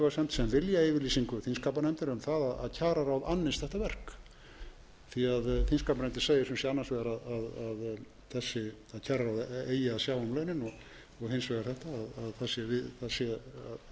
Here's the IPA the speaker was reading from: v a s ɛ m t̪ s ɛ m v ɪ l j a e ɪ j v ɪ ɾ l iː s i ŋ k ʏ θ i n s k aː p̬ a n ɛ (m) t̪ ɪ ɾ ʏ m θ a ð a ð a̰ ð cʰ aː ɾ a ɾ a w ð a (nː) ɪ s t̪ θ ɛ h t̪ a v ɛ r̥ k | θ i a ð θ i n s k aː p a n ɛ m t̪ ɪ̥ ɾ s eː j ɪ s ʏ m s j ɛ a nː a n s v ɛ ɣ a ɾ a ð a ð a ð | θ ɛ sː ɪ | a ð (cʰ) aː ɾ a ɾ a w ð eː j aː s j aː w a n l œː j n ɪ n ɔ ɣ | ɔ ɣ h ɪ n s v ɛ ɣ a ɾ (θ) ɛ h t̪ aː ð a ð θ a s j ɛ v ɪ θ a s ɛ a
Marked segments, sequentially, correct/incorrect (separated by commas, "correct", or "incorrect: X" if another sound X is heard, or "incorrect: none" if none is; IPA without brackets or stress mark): correct, correct, correct, correct